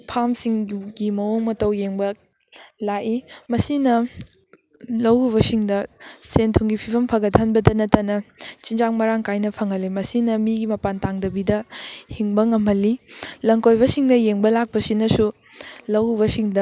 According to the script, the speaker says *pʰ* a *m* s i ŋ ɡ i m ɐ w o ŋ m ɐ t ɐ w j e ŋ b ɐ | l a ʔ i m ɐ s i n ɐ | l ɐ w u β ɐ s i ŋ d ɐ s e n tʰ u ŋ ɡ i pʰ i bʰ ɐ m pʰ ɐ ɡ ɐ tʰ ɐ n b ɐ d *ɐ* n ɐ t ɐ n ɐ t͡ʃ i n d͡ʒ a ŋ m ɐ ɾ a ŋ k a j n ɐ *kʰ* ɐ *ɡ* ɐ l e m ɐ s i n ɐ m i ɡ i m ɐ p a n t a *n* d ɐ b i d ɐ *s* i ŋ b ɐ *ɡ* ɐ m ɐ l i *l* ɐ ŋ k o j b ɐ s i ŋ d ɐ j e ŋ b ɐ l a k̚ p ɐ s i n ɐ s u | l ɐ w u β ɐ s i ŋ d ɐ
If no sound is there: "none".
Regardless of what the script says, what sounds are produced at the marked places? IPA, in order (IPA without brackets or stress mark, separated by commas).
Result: pʰ, m, ɐ, pʰ, ŋ, ŋ, h, ŋ, l